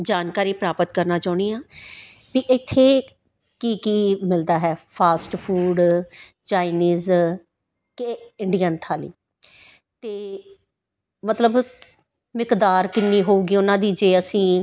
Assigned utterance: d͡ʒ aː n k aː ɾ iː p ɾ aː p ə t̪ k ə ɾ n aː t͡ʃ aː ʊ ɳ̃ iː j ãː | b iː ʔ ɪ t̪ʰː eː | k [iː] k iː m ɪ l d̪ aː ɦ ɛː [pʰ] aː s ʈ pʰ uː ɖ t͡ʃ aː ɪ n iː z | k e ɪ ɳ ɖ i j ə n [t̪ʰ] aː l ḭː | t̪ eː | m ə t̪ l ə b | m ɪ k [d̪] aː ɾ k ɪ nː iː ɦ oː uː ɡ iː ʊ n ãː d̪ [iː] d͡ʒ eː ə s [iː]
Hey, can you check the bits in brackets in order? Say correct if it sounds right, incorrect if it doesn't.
correct, correct, correct, correct, correct, incorrect: ĩː

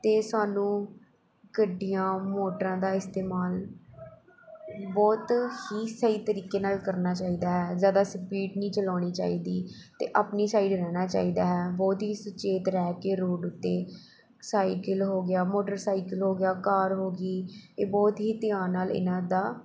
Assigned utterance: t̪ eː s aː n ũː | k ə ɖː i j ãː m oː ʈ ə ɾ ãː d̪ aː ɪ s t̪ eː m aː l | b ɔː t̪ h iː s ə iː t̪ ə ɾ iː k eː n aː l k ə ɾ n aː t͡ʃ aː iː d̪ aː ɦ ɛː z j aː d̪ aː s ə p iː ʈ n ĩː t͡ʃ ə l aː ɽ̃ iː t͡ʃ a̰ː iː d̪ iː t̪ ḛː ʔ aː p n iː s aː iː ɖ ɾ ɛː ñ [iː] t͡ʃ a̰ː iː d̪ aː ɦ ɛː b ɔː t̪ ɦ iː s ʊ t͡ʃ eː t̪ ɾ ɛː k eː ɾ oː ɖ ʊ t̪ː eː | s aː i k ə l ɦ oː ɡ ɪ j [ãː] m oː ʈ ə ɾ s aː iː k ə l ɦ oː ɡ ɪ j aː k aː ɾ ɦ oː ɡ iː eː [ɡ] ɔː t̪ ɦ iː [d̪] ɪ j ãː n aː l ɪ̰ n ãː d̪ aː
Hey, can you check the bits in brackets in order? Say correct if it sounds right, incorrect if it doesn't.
incorrect: aː, incorrect: aː, incorrect: b, incorrect: t̪

